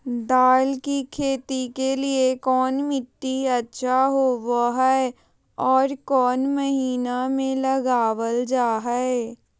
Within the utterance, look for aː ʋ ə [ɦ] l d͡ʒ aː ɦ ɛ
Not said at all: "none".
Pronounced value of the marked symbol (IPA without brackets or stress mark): none